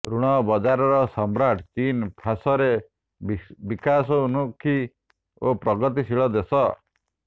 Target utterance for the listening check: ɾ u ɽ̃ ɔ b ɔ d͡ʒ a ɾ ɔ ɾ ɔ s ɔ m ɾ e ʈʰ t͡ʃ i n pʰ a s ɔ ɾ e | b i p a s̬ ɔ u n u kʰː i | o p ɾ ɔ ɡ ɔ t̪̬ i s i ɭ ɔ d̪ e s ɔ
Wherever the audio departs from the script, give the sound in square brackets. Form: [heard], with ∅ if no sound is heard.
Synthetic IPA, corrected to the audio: ɾ u ɽ̃ ɔ b ɔ d͡ʒ a ɾ ɔ ɾ ɔ s ɔ m ɾ [a] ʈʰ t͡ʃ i n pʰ a s ɔ ɾ e | b i [k] a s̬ ɔ u n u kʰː i | o p ɾ ɔ ɡ ɔ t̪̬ i s i ɭ ɔ d̪ e s ɔ